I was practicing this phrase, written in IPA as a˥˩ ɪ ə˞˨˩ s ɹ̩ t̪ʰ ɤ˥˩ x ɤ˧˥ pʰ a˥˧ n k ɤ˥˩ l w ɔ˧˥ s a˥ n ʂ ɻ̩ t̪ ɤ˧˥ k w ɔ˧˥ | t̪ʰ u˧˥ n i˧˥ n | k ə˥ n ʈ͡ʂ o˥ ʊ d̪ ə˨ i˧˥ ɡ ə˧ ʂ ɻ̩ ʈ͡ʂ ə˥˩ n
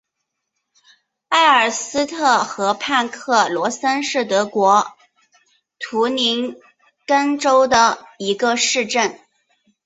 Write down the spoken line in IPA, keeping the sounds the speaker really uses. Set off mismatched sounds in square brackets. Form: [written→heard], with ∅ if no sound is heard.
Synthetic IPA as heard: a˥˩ ɪ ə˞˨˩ s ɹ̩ t̪ʰ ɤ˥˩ x ɤ˧˥ pʰ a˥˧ n [k→kʰ] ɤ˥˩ l w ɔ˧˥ s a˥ n ʂ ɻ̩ t̪ ɤ˧˥ k w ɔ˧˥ | t̪ʰ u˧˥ n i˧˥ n | k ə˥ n ʈ͡ʂ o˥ ʊ d̪ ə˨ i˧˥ ɡ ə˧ ʂ ɻ̩ ʈ͡ʂ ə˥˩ n